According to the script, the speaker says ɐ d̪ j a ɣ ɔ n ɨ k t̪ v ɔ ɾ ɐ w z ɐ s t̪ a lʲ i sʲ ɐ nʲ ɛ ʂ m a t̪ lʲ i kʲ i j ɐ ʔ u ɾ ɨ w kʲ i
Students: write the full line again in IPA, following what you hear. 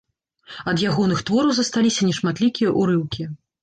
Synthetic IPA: ɐ d̪ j a ɣ ɔ n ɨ x t̪ v ɔ ɾ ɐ w z ɐ s t̪ a lʲ i sʲ ɐ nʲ ɛ ʂ m a t̪ lʲ i kʲ i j ɐ ʔ u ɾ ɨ w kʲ i